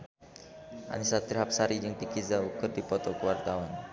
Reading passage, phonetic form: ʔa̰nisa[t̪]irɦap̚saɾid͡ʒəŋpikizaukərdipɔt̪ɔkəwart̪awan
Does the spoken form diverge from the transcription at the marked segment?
no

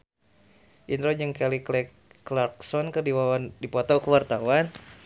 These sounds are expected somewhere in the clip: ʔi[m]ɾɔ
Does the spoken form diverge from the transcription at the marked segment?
yes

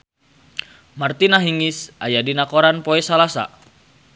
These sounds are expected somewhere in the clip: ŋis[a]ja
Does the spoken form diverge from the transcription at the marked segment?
no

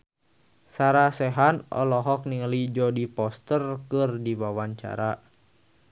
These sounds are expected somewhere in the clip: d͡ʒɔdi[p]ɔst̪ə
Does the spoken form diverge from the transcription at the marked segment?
no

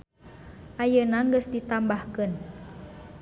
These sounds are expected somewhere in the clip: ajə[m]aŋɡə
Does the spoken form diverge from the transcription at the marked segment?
yes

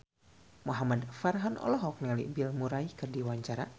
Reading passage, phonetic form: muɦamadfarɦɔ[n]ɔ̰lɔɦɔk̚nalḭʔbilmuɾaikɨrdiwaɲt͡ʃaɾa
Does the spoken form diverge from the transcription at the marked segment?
no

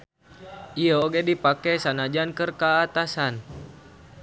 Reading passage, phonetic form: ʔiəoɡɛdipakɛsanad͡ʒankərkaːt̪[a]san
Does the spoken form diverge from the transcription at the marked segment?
no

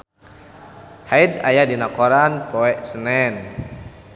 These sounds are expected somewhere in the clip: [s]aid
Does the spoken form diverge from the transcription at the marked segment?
yes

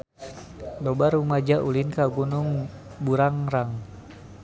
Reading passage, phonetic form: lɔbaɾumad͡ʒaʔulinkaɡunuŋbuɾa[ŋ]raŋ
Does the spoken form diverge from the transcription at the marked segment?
no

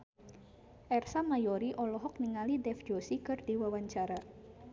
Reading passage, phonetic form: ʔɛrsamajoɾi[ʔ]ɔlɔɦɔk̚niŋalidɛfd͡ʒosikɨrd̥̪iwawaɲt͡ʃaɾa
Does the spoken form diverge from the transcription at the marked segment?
no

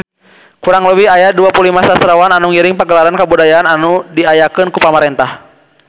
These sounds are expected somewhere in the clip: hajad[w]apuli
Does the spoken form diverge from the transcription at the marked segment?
yes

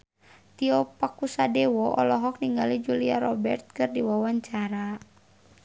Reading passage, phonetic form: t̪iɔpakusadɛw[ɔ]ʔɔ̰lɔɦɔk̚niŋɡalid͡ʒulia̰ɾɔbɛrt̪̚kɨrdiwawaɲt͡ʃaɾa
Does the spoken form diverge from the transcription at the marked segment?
no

